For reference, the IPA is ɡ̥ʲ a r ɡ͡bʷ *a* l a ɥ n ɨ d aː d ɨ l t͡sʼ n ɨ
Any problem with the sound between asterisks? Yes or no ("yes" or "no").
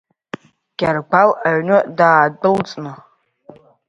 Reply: no